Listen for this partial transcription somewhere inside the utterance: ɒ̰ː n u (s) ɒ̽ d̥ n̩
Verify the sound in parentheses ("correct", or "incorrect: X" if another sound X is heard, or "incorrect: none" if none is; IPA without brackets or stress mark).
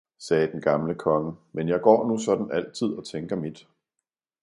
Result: correct